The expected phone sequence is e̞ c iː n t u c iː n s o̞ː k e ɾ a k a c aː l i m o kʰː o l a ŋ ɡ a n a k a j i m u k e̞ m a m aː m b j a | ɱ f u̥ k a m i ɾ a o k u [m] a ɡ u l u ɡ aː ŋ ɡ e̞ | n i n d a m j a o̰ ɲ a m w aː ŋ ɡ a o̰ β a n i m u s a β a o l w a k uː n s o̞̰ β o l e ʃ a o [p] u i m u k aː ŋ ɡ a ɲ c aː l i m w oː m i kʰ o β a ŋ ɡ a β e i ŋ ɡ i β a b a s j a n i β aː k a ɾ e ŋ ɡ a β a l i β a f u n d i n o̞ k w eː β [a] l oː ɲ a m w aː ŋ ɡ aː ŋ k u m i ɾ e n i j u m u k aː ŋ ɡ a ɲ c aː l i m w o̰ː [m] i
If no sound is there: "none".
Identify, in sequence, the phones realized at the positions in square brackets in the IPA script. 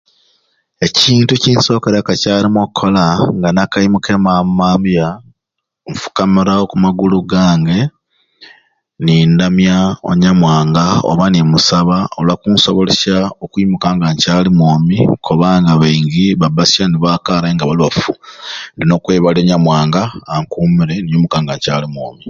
m, k, a, m

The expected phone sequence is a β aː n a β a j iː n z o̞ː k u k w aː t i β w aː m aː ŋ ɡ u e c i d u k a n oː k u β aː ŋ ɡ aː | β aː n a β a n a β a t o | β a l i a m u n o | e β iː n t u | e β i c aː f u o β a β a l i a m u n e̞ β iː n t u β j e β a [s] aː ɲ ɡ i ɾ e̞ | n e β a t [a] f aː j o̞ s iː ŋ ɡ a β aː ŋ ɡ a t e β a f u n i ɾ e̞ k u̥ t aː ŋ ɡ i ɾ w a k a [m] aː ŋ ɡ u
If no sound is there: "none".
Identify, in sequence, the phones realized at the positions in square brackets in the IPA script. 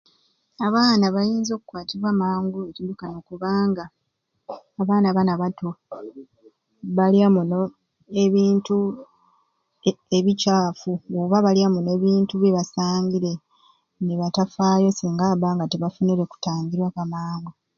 s, a, m

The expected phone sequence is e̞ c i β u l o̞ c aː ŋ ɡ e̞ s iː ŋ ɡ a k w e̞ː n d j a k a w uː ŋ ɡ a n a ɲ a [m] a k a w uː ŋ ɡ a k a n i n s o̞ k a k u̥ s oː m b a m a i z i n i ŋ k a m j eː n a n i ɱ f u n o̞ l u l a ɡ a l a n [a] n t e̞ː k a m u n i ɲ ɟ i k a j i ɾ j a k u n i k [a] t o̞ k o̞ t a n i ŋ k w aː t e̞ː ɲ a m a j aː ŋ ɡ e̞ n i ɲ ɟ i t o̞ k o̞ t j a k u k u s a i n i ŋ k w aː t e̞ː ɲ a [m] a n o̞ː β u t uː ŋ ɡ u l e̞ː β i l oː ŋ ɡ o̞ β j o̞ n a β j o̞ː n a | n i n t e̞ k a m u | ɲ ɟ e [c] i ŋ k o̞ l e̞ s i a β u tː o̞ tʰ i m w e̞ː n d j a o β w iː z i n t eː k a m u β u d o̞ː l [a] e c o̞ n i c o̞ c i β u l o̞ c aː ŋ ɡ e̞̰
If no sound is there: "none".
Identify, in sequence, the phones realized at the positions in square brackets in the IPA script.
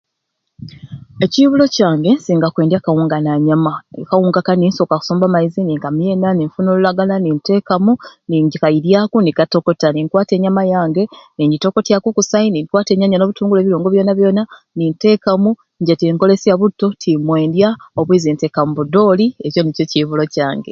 m, i, a, ɲ, t, i

